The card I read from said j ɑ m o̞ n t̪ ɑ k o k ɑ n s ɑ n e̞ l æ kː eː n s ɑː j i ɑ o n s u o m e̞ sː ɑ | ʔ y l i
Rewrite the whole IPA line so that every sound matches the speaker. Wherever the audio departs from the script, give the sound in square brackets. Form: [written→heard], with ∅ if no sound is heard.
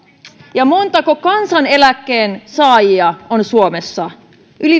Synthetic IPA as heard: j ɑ m o̞ n t̪ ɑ k o k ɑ n s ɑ n e̞ l æ kː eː n s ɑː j i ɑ o n s u o m e̞ sː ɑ | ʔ y l i

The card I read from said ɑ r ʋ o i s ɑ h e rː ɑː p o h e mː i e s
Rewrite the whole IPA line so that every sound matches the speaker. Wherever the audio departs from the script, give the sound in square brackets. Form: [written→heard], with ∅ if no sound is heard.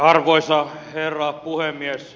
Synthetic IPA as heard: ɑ r ʋ o i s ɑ h e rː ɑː p [o→u] h e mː i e s

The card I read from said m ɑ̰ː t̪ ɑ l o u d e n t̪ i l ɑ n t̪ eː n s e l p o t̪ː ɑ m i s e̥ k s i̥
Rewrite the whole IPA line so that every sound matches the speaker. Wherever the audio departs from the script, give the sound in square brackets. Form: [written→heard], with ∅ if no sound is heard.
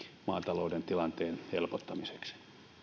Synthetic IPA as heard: m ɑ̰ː t̪ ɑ l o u d e n t̪ i l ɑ n t̪ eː n [s→h] e l p o t̪ː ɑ m i s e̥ k s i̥

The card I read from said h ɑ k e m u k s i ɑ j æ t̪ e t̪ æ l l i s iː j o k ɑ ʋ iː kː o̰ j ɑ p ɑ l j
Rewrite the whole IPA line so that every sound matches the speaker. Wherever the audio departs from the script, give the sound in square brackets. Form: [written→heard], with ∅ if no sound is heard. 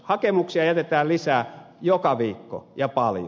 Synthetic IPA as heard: h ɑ k e m u k s i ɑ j æ t̪ e t̪ [æ→æː] l l i s [iː→æː] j o k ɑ ʋ iː kː o̰ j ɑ p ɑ l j

